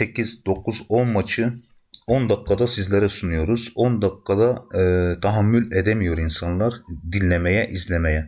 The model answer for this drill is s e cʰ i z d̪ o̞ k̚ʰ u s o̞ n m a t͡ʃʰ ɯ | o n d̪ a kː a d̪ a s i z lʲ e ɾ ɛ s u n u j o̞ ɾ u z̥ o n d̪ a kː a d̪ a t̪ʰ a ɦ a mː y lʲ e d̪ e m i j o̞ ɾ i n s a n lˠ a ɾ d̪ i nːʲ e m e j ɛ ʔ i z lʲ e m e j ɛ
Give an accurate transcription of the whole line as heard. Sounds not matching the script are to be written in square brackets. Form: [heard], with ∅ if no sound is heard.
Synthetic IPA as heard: s e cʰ i z d̪ o̞ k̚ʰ u [z] o̞ n m a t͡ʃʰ ɯ | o n d̪ a kː a d̪ a s i z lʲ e ɾ ɛ s u n u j o̞ ɾ u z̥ o n d̪ a kː a d̪ a t̪ʰ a ɦ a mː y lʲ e d̪ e m i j o̞ ɾ i n s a n lˠ a ɾ d̪ i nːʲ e m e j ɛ ʔ i z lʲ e m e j ɛ